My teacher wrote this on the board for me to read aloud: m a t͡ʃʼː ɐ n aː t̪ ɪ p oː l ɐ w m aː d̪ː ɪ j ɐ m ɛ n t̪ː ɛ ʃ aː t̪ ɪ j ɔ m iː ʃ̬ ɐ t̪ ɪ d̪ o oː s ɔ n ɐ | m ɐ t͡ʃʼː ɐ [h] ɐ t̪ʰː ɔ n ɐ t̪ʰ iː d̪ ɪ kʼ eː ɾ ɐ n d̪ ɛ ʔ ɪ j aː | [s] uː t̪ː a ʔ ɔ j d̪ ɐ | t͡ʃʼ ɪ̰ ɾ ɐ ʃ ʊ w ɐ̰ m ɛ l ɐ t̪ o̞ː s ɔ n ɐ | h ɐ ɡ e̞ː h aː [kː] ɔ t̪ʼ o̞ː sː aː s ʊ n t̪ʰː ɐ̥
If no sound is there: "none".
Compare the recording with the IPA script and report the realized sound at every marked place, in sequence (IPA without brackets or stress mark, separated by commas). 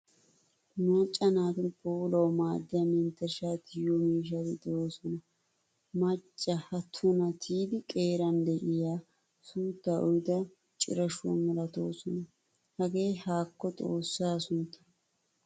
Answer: h, s, kː